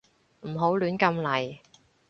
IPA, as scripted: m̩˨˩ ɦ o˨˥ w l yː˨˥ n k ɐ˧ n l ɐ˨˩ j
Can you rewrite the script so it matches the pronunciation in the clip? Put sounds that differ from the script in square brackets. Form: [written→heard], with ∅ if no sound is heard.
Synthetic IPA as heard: m̩˨˩ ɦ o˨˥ w l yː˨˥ n k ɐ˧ [n→m] l ɐ˨˩ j